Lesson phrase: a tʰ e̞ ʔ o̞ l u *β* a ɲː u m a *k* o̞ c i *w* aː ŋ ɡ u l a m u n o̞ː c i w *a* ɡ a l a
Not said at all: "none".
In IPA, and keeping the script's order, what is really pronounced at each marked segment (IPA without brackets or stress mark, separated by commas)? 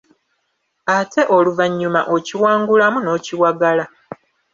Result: v, ʔ, w, a